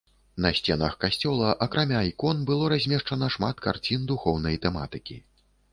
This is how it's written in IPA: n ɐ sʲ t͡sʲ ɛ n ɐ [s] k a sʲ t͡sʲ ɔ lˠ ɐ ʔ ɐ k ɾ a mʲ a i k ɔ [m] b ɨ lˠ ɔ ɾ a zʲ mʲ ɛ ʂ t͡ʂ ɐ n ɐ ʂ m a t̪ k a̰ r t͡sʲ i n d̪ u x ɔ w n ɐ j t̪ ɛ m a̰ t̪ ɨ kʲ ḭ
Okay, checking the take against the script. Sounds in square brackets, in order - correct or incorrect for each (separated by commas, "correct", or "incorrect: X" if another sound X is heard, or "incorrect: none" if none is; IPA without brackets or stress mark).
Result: incorrect: x, incorrect: n